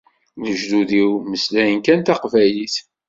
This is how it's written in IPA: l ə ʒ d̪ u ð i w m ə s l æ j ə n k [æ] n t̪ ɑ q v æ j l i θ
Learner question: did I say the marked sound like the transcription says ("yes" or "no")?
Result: yes